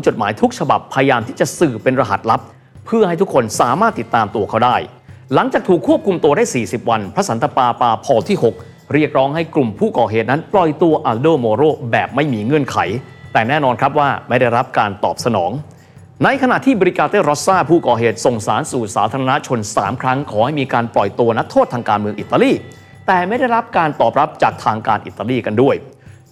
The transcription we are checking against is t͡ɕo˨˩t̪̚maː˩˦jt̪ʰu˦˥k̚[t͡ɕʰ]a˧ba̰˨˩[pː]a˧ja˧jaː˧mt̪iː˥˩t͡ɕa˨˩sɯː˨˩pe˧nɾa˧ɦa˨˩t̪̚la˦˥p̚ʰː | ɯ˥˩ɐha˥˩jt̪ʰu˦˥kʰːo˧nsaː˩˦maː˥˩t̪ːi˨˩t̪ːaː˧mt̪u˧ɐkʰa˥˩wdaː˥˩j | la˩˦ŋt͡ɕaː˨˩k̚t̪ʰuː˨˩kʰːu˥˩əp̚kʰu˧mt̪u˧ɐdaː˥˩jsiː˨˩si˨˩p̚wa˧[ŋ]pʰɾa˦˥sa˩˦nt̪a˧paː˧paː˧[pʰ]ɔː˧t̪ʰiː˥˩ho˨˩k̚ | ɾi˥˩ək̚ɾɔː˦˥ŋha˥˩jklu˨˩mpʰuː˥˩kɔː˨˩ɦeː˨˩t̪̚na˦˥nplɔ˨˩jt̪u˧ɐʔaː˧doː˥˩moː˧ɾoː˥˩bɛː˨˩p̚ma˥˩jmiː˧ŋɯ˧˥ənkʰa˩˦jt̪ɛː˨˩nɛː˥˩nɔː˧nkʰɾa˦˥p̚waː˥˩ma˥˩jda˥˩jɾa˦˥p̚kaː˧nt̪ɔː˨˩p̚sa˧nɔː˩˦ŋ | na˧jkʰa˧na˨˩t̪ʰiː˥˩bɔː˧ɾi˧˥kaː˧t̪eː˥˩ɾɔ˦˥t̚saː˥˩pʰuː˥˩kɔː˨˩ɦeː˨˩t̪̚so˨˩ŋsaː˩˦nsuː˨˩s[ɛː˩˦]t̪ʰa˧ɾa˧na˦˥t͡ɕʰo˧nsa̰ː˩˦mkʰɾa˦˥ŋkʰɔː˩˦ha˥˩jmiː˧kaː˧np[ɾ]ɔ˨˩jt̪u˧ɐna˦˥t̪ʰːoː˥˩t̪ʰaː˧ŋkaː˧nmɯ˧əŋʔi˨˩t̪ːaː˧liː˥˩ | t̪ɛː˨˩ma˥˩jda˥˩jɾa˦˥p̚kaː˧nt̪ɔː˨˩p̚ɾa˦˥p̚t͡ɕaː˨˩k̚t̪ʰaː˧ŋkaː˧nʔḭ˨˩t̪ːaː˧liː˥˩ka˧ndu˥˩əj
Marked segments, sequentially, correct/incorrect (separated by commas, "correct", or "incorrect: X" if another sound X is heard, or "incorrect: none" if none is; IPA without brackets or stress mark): correct, incorrect: pʰː, incorrect: n, correct, incorrect: aː˩˦, incorrect: l